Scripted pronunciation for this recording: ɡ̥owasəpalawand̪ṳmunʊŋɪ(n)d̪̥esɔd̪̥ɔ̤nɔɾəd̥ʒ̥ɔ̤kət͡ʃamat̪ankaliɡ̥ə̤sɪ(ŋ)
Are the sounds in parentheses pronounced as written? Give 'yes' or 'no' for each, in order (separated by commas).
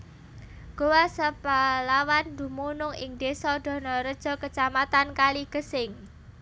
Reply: no, yes